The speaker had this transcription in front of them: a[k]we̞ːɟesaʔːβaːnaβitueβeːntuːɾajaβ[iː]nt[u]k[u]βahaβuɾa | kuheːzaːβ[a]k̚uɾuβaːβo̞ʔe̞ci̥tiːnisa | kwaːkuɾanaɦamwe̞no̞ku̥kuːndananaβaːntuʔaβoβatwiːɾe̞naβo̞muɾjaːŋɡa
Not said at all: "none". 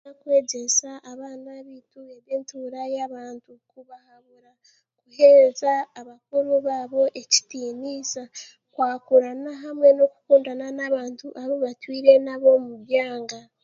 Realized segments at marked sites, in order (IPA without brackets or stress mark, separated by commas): k, aː, u, u, a